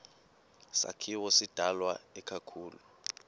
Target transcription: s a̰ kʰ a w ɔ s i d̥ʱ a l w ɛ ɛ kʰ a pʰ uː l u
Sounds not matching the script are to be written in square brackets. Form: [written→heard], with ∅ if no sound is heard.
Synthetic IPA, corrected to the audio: s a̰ kʰ [a→i] w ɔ s i d̥ʱ a l w [ɛ→a] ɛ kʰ a [pʰ→kʰ] uː l u